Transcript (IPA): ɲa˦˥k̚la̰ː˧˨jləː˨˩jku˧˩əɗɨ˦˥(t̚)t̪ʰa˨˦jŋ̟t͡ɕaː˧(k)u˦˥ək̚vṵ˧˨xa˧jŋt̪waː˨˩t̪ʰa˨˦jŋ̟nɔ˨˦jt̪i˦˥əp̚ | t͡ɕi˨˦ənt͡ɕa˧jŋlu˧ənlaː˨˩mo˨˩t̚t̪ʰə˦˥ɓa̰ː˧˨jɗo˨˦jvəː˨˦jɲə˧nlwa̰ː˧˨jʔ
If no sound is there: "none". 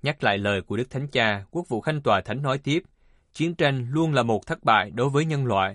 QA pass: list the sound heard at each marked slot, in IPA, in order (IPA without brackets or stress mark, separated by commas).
k̚, k